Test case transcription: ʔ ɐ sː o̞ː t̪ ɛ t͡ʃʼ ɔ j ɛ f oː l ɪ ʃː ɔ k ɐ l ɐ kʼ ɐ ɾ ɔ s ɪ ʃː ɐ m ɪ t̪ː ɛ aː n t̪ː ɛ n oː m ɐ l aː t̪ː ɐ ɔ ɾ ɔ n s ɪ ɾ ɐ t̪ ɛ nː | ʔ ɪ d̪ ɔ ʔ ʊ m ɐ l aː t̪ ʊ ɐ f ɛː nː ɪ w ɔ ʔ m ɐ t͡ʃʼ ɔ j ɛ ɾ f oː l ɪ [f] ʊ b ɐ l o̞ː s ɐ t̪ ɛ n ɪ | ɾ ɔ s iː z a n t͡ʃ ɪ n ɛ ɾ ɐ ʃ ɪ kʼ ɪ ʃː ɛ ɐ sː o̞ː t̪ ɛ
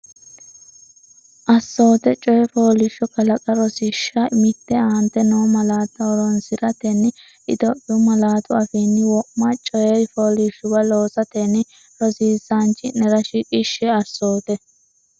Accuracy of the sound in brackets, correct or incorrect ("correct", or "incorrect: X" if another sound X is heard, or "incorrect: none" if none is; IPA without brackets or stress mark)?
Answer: incorrect: ʃ